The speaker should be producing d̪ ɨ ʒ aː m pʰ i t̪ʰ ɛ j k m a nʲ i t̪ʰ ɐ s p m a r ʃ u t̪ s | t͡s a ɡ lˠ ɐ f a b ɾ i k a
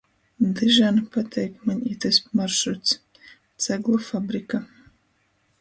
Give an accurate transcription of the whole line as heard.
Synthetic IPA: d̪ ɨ ʒ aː n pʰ a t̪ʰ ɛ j k m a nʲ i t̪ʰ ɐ s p m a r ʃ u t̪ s | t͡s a ɡ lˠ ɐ f a b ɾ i k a

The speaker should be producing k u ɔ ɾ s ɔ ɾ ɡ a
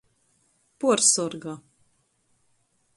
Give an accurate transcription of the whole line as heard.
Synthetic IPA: p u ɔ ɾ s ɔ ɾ ɡ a

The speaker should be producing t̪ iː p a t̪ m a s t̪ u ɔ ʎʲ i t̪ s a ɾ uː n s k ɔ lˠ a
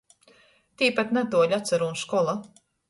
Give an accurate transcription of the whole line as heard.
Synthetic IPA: t̪ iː p a t̪ n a t̪ u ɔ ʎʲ a t̪ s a ɾ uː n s k ɔ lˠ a

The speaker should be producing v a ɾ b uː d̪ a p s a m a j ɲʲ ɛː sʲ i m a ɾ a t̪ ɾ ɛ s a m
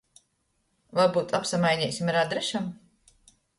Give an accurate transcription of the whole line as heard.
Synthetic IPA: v a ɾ b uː t̪ a p s a m a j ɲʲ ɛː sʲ i m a ɾ a d̪ ɾ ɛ ʃ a m

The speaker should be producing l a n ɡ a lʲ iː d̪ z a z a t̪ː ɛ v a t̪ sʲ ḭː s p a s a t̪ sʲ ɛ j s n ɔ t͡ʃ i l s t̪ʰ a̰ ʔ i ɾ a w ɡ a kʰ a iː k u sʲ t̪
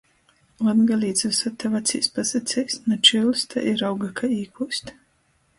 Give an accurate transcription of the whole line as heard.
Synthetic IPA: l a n ɡ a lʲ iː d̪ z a s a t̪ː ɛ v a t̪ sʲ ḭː s p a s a t̪ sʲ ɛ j s n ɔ t͡ʃ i l s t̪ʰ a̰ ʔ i ɾ a w ɡ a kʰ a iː k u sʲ t̪

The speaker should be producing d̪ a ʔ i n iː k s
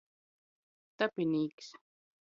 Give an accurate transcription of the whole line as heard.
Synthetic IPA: t̪ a p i n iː k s

